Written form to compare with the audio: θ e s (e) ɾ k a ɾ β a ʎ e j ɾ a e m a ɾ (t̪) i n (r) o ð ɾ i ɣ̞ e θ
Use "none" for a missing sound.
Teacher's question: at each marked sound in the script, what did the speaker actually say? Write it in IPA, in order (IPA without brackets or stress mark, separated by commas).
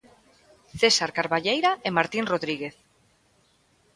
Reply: a, t̪, r